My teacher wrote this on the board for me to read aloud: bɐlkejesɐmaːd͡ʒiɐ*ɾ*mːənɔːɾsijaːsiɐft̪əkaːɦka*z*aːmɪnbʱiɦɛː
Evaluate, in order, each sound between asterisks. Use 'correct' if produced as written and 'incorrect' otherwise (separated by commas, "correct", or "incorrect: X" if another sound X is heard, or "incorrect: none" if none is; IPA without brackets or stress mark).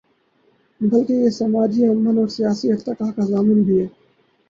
incorrect: none, correct